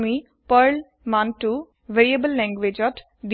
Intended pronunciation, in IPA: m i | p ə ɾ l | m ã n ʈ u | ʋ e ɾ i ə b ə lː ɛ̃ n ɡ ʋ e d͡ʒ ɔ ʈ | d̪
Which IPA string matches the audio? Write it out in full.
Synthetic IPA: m i | p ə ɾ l | m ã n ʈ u | ʋ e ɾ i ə b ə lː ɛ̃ ŋ ɡ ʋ e d͡ʒ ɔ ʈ | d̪